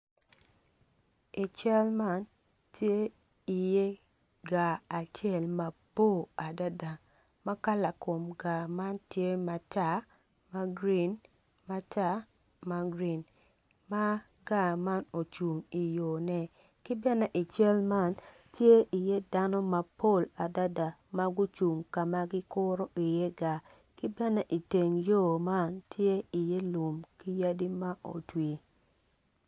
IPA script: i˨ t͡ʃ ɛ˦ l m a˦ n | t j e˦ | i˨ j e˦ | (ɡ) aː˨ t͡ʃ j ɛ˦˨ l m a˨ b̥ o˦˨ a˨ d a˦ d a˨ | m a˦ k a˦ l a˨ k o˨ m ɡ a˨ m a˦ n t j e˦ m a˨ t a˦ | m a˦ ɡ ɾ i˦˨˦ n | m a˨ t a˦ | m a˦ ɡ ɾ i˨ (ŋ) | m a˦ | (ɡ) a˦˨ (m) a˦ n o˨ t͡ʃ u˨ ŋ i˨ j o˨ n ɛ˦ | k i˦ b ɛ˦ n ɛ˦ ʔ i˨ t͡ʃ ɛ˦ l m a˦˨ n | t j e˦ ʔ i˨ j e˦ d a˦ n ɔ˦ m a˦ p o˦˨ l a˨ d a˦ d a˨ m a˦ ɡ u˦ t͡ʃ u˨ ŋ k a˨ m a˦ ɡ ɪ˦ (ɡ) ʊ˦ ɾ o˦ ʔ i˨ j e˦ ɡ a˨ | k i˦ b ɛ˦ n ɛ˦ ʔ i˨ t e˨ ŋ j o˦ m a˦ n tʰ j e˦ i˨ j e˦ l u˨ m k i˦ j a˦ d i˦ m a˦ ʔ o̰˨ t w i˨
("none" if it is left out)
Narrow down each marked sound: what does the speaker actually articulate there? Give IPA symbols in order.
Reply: ɡ, n, ɡ, m, k

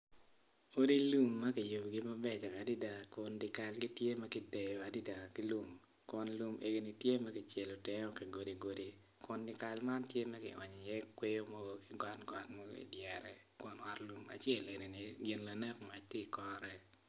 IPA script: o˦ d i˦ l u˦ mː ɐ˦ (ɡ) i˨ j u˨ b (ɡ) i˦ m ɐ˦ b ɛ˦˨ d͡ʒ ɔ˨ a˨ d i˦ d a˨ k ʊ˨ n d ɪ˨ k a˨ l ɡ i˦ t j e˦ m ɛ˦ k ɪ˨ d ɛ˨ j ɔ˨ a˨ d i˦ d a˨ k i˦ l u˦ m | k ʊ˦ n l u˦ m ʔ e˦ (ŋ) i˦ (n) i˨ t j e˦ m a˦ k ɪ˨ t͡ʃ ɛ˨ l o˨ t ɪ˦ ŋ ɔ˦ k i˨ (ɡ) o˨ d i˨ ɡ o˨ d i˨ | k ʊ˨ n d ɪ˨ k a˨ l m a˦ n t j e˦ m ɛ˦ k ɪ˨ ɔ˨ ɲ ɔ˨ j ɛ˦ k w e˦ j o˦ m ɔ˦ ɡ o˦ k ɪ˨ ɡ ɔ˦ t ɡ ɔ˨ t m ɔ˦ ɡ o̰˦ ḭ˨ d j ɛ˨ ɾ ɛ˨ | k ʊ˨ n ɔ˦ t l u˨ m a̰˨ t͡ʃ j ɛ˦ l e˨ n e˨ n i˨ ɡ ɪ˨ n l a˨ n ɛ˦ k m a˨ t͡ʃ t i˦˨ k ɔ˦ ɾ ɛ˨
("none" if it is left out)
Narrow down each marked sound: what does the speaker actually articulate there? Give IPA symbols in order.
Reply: k, ɡ, ɡ, n, ɡ

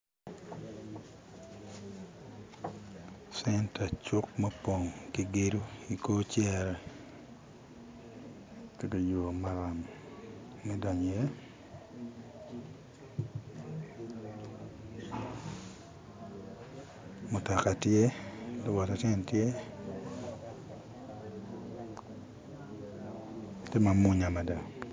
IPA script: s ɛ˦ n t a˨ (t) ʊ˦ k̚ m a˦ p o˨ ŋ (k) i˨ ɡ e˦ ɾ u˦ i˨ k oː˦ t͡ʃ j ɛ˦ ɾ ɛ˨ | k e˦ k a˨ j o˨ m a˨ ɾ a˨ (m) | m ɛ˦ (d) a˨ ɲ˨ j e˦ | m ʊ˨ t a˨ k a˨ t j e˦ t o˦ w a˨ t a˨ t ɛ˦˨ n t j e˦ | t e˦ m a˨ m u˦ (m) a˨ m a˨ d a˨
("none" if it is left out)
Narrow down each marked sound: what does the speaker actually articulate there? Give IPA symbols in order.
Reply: t͡ʃ, k, m, d, ɲ

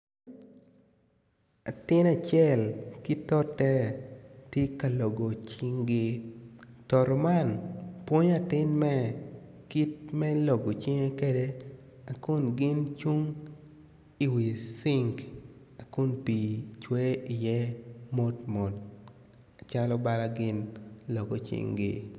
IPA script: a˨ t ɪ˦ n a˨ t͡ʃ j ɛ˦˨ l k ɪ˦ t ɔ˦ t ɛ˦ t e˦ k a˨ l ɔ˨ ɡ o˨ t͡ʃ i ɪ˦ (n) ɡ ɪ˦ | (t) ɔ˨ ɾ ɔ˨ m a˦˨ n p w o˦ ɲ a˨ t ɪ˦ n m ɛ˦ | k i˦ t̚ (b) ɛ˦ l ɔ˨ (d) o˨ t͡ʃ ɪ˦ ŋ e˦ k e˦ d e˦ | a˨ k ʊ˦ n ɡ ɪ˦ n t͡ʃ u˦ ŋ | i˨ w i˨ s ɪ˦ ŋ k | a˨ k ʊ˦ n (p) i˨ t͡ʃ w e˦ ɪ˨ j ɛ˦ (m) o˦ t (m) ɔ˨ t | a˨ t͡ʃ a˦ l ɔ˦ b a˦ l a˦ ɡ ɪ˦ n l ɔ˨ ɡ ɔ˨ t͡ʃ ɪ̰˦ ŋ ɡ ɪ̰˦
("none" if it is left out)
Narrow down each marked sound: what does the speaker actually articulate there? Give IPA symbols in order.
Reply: ŋ, t, m, ɡ, p, m, m

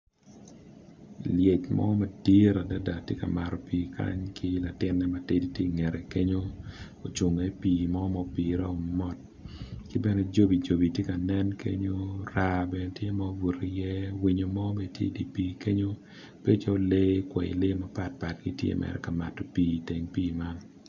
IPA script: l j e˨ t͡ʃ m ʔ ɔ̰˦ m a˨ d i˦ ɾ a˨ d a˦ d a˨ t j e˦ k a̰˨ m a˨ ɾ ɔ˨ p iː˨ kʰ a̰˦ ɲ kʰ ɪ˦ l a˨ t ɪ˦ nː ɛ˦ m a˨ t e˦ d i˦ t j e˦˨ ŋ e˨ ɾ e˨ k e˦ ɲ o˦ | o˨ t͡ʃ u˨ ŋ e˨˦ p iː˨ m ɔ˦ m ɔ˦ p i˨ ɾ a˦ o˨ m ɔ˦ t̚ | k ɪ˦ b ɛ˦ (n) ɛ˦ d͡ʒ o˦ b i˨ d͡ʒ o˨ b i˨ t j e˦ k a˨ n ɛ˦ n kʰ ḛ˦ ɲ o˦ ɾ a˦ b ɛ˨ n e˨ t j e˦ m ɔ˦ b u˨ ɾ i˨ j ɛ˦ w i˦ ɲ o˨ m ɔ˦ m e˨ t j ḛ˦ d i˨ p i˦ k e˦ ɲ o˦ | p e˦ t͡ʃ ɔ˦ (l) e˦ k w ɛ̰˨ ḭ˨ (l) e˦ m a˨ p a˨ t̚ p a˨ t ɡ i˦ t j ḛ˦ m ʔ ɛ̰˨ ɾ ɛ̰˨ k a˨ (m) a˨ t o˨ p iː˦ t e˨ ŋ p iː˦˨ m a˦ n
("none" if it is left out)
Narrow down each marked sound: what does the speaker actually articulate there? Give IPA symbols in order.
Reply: n, l, l, m

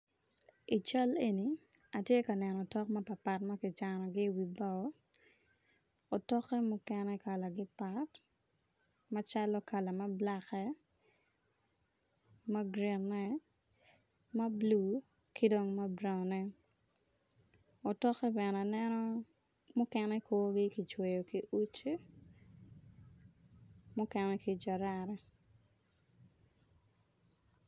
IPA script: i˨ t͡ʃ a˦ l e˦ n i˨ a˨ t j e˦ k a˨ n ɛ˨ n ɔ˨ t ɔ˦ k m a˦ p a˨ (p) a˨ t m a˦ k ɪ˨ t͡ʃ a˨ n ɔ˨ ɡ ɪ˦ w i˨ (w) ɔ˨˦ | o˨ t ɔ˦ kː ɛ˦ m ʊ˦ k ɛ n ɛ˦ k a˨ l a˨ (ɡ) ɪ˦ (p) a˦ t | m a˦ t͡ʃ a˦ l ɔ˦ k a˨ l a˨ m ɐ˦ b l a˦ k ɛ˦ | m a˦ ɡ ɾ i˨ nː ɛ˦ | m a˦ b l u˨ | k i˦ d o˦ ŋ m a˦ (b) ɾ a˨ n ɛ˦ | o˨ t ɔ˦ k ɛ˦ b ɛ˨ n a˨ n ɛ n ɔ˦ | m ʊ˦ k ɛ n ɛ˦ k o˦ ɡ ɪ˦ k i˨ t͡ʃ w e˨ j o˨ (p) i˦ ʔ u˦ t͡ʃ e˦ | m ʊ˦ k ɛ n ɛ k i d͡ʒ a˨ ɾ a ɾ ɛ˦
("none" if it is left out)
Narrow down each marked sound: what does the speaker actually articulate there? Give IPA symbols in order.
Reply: p, b, ɡ, p, b, k

